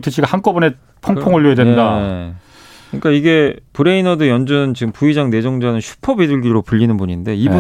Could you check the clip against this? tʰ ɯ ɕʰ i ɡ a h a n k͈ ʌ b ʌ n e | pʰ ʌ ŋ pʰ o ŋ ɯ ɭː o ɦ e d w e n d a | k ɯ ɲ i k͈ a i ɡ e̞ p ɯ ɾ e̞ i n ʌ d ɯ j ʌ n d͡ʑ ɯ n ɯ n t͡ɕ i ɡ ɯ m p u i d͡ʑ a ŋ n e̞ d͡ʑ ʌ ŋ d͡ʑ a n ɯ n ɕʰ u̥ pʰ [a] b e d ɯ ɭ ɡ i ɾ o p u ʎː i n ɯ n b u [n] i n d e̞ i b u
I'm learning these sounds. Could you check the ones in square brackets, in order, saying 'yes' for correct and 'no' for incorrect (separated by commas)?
no, no